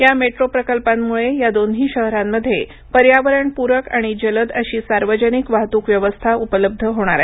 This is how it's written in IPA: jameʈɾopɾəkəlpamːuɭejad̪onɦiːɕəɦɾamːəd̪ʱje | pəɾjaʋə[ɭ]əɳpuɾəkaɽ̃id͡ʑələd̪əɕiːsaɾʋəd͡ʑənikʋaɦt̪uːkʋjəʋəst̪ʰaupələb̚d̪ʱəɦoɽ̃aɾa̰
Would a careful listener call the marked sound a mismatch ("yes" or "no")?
yes